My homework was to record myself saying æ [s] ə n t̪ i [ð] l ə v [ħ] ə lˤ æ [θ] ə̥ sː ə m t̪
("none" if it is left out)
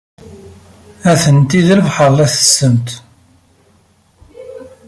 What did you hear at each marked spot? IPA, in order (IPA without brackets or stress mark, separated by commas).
θ, ð, ħ, θ